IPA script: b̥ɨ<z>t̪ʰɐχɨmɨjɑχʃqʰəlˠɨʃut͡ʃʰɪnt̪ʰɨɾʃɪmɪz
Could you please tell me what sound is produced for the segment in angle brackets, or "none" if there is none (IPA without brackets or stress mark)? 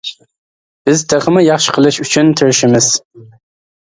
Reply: z